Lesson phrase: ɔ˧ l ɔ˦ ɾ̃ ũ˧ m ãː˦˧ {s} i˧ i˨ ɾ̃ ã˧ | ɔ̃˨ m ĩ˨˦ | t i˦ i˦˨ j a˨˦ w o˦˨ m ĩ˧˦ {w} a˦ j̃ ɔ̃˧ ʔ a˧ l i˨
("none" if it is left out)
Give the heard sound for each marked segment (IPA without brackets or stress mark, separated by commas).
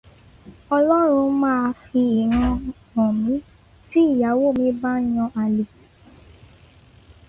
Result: f, b